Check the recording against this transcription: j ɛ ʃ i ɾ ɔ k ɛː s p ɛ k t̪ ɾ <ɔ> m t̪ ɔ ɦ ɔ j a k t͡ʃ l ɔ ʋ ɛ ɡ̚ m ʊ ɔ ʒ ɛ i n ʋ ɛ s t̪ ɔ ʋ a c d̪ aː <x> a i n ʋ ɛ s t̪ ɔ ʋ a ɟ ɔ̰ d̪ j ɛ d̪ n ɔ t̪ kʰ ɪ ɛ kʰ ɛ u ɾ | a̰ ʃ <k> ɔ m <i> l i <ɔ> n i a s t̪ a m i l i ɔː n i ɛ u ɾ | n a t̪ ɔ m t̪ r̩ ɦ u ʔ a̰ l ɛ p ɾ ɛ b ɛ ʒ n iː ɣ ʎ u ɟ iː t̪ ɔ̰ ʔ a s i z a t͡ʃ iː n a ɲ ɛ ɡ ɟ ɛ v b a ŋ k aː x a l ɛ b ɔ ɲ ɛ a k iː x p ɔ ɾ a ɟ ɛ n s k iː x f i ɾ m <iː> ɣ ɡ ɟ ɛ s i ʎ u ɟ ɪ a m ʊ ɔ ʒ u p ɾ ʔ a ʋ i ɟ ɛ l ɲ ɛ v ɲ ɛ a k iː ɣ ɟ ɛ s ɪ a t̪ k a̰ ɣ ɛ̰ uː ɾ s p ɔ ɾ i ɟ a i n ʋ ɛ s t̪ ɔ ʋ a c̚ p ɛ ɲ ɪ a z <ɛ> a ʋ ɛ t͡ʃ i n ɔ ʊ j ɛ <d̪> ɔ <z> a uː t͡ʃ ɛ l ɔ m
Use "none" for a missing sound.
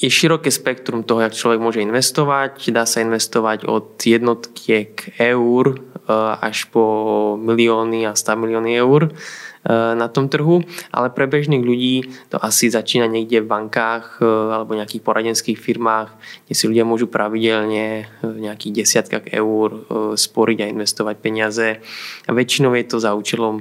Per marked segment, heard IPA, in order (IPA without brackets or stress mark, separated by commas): u, s, p, i, ɔː, aː, ɛ, t̪, z